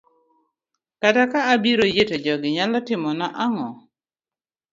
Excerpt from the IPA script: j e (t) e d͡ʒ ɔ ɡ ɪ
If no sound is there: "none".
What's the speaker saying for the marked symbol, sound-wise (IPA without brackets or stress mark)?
t